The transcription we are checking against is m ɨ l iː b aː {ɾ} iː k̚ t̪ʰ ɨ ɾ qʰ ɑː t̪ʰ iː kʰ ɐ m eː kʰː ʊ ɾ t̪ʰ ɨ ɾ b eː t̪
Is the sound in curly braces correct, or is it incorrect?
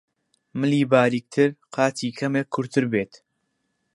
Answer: correct